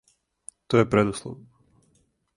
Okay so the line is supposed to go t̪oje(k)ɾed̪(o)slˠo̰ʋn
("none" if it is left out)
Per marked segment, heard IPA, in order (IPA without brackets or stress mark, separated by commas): p, u